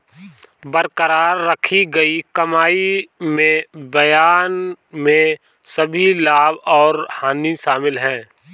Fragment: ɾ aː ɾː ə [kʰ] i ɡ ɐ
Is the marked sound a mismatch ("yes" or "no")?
no